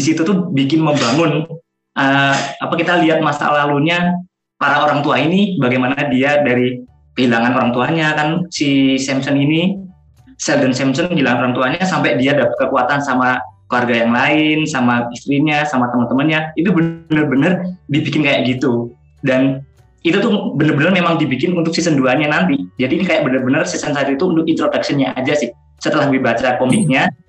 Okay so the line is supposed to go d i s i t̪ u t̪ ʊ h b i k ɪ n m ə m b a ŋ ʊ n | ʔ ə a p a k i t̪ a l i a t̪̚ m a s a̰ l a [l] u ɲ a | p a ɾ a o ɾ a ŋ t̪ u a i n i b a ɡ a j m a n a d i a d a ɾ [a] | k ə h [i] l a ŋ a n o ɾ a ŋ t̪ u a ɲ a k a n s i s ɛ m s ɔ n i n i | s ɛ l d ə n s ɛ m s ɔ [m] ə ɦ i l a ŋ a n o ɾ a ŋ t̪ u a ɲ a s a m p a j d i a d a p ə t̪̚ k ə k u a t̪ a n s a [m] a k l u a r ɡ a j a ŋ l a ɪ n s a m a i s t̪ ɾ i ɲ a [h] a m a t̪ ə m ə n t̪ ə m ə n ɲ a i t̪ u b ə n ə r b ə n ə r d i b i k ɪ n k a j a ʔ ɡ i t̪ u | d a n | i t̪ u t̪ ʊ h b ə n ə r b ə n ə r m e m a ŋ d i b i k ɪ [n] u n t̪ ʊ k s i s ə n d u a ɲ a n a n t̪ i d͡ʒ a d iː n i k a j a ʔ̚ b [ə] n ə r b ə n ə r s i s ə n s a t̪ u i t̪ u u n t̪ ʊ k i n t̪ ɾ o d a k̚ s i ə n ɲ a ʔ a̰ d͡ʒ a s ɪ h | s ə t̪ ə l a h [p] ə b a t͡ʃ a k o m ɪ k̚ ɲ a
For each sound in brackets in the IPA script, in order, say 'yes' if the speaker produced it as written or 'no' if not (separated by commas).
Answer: yes, no, yes, no, yes, no, yes, yes, no